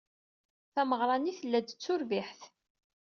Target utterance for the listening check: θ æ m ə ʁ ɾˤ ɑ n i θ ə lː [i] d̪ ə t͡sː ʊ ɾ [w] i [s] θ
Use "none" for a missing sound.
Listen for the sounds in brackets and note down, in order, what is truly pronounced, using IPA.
æ, v, ħ

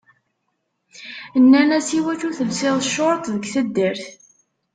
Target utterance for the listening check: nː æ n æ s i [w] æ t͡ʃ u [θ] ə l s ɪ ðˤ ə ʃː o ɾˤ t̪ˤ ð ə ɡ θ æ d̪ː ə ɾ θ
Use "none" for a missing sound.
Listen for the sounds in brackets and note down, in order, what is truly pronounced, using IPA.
w, θ

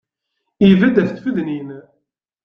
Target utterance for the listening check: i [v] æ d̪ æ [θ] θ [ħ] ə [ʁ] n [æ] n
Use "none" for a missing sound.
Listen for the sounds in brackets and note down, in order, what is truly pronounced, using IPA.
v, θ, f, ð, i

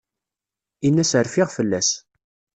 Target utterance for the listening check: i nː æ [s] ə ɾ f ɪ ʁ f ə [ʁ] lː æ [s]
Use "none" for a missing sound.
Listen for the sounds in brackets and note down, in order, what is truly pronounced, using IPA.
s, none, s

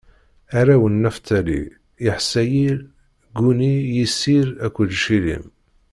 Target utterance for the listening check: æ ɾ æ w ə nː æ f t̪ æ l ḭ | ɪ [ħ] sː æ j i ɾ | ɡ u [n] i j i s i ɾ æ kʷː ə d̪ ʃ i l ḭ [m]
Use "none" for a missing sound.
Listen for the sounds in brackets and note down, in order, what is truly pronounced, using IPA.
ħ, n, m

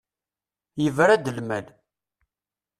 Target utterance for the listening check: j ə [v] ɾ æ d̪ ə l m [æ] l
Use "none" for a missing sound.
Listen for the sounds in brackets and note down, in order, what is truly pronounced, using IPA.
v, æ

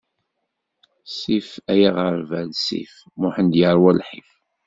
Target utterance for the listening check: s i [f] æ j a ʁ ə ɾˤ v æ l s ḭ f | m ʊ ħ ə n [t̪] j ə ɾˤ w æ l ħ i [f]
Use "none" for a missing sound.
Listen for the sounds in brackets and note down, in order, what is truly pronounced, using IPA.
f, d̪, f

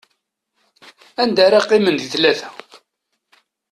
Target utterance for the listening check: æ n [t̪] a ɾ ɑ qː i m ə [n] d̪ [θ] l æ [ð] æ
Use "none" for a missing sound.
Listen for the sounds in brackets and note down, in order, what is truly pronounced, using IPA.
d̪, n, θ, θ

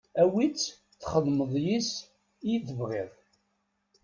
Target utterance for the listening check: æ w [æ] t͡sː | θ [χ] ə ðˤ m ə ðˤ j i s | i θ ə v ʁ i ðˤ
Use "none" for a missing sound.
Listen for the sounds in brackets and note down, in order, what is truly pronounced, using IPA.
i, χ

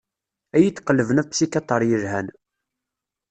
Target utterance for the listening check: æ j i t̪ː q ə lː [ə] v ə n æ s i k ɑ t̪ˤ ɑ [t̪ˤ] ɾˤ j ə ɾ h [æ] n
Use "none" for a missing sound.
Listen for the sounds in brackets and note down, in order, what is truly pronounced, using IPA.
ə, none, æ

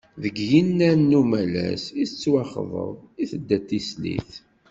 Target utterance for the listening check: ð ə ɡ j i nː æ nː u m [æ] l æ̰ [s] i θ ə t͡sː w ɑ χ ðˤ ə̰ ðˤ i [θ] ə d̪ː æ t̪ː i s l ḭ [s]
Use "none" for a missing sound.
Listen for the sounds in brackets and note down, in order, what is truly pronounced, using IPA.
æ, s, θ, θ

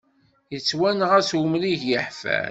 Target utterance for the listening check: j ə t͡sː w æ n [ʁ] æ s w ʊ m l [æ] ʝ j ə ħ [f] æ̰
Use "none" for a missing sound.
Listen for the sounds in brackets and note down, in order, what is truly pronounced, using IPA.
ʁ, i, f

